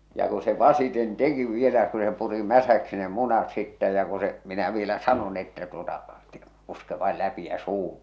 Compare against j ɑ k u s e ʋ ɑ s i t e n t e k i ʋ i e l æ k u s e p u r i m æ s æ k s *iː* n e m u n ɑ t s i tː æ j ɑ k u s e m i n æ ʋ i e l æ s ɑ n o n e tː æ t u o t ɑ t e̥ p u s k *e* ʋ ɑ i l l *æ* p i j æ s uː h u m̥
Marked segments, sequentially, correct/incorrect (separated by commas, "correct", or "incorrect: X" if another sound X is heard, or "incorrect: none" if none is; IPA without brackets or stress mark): incorrect: i, correct, correct